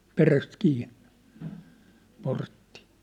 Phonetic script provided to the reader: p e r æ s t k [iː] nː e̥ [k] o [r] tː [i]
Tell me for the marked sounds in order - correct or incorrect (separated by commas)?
correct, incorrect, correct, correct